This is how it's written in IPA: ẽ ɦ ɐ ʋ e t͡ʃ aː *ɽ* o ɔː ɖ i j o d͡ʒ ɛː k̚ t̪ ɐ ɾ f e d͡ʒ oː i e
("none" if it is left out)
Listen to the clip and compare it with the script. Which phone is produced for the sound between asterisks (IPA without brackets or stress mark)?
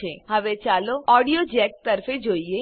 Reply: l